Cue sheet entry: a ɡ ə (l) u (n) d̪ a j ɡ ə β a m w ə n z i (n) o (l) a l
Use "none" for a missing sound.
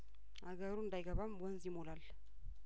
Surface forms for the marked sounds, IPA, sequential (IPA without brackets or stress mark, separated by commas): ɾ, n, m, l